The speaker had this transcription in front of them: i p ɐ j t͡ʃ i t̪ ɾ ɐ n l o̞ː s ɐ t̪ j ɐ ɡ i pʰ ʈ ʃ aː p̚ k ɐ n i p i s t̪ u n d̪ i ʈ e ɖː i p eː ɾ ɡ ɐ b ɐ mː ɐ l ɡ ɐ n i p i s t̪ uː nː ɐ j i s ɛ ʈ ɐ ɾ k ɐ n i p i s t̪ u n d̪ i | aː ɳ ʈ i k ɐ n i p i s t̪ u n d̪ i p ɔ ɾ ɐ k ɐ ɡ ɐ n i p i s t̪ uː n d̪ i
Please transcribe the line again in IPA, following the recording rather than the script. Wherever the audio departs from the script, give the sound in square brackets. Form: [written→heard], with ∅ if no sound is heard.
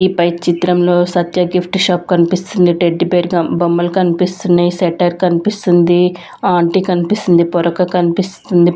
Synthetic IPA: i p ɐ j t͡ʃ i t̪ ɾ ɐ [n→m] l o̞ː s ɐ t̪ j ɐ ɡ i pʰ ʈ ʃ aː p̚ k ɐ n i p i s t̪ u n d̪ i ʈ e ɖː i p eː ɾ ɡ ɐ b ɐ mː ɐ l [ɡ→k] ɐ n i p i s t̪ [uː→u] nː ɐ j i s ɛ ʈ ɐ ɾ k ɐ n i p i s t̪ u n d̪ i | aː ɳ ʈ i k ɐ n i p i s t̪ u n d̪ i p ɔ ɾ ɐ k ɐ [ɡ→k] ɐ n i p i s t̪ [uː→u] n d̪ i

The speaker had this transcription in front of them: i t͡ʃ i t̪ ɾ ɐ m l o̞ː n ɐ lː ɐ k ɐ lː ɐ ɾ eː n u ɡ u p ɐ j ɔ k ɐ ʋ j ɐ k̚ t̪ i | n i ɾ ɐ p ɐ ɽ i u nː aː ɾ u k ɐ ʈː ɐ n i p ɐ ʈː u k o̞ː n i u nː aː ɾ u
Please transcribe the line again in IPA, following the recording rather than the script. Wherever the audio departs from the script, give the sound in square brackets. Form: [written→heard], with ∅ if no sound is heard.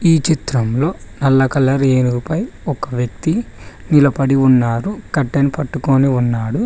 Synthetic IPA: [i→iː] t͡ʃ i t̪ ɾ ɐ m l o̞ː n ɐ lː ɐ k ɐ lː ɐ ɾ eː n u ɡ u p ɐ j ɔ k ɐ ʋ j ɐ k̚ t̪ i | n i [ɾ→l] ɐ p ɐ ɽ i u nː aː ɾ u k ɐ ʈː ɐ n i p ɐ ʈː u k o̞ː n i u nː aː [ɾ→ɽ] u

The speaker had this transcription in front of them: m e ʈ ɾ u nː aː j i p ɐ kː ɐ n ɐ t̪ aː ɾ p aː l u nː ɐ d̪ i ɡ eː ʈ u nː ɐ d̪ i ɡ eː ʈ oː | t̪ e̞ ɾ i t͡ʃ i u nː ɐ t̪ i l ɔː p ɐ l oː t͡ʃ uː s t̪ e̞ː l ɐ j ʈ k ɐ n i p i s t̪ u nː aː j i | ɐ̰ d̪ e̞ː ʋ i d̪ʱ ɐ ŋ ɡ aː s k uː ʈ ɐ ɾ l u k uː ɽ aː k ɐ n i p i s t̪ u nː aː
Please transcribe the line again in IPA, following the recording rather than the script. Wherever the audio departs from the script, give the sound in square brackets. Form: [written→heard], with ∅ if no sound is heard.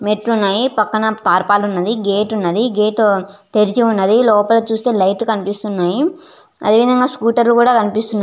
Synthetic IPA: m e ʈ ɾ u nː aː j i p ɐ kː ɐ n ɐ t̪ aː ɾ p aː l u nː ɐ d̪ i ɡ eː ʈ u nː ɐ d̪ i ɡ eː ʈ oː | t̪ e̞ ɾ i t͡ʃ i u nː ɐ [t̪→d̪] i l ɔː p ɐ l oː t͡ʃ uː s t̪ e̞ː l ɐ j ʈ k ɐ n i p i s t̪ u nː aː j i | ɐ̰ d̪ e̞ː ʋ i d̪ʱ ɐ ŋ ɡ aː s k uː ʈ ɐ ɾ l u k uː ɽ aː k ɐ n i p i s t̪ u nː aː

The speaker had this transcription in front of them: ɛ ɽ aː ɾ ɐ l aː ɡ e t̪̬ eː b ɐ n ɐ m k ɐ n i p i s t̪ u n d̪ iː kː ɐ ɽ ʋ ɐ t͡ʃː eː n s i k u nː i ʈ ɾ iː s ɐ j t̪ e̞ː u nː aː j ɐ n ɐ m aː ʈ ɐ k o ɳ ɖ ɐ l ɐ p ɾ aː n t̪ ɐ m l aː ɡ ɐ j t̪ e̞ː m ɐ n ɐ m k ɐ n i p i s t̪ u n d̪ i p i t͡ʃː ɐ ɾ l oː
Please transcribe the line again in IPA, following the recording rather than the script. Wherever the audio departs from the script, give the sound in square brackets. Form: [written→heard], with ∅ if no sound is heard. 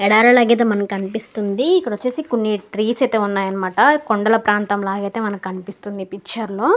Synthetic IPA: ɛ ɽ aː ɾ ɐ l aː ɡ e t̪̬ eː [b→m] ɐ n ɐ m k ɐ n i p i s t̪ u n d̪ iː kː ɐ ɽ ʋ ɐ t͡ʃː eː [n→∅] s i k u nː i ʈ ɾ iː s ɐ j t̪ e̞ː u nː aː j ɐ n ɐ m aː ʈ ɐ k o ɳ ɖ ɐ l ɐ p ɾ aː n t̪ ɐ m l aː ɡ ɐ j t̪ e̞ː m ɐ n ɐ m k ɐ n i p i s t̪ u n d̪ i p i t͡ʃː ɐ ɾ l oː

